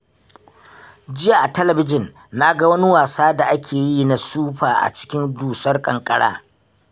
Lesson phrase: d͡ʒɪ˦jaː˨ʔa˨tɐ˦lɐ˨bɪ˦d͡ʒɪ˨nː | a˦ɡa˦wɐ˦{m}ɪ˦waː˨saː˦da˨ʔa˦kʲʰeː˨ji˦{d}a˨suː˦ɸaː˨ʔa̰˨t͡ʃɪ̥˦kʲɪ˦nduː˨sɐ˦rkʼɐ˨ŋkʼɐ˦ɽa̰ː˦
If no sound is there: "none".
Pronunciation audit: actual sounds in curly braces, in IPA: n, n

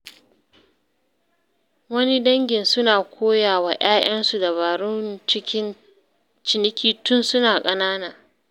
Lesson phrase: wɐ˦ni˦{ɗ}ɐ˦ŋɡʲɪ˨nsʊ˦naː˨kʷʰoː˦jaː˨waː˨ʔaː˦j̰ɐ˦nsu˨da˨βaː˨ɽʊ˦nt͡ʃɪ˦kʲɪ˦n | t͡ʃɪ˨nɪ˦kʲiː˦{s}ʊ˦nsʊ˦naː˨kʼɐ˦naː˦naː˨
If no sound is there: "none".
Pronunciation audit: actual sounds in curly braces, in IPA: d, t

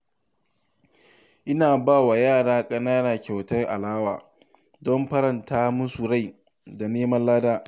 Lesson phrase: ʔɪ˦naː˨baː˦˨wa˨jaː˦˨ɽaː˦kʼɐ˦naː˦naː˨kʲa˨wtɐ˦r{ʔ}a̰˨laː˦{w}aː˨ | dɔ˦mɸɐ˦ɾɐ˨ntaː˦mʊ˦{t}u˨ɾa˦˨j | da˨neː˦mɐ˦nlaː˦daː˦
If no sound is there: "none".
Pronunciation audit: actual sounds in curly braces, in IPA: ʔ, w, s

